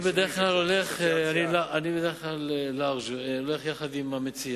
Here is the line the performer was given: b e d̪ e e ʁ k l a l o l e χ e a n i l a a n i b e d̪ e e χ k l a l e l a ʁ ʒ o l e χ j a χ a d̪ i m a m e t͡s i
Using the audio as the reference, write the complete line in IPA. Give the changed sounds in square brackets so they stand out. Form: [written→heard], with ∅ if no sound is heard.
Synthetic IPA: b e d̪ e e [ʁ→χ] k l a l o l e χ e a n i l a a n i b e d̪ e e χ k l a l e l a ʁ ʒ o l e χ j a χ a d̪ i m a m e t͡s i